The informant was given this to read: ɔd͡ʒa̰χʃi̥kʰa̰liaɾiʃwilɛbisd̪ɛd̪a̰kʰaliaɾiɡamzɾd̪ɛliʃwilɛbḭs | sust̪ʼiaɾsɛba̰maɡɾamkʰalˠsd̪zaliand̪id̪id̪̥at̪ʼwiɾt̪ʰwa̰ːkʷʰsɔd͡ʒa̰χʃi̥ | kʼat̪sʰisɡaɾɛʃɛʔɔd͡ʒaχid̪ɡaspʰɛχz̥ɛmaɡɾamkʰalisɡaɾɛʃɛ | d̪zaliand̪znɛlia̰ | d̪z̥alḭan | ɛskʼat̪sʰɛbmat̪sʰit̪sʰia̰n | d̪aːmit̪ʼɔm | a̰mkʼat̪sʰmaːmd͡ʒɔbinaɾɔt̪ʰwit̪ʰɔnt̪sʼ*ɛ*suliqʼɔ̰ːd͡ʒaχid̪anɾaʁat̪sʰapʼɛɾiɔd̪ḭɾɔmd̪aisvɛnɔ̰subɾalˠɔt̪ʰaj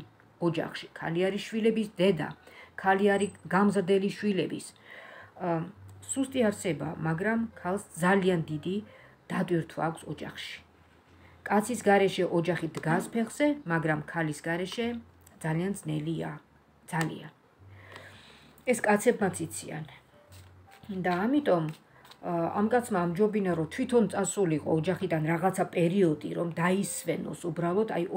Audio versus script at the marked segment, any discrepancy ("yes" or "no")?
yes